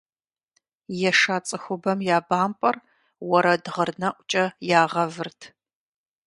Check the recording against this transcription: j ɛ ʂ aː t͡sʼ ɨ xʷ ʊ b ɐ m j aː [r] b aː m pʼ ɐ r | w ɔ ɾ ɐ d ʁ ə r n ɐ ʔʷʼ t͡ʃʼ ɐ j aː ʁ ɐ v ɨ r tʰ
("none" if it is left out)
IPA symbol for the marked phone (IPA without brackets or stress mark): none